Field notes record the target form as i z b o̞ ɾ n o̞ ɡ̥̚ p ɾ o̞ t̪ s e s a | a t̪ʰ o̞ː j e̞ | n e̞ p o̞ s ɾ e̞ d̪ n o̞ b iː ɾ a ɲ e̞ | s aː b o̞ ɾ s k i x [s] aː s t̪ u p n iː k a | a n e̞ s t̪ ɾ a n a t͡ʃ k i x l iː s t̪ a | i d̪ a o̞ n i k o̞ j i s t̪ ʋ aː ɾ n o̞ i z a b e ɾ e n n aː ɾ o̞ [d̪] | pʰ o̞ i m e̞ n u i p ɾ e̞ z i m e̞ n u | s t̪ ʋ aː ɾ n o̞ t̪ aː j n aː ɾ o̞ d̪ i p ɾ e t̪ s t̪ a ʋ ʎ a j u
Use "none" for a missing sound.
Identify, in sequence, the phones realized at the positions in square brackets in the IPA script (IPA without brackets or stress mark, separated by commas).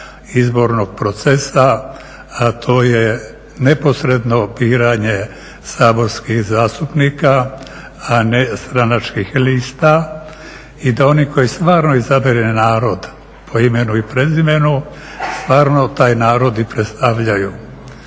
z, d̪